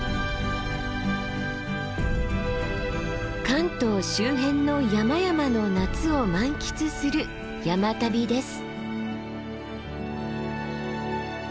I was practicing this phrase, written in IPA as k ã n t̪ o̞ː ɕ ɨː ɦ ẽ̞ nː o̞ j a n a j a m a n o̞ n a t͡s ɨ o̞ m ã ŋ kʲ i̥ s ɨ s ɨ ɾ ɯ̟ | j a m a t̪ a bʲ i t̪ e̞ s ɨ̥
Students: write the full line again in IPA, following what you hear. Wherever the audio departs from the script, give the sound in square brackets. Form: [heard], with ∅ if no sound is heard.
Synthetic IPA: k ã n t̪ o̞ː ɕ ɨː ɦ ẽ̞ nː o̞ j a [m] a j a m a n o̞ n a t͡s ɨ o̞ m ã ŋ kʲ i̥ [t͡s] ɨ s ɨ ɾ ɯ̟ | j a m a t̪ a bʲ i [d̪] e̞ s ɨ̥